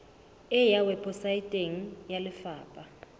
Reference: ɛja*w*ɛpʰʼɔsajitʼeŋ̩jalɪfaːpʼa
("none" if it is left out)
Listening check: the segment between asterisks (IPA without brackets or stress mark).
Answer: w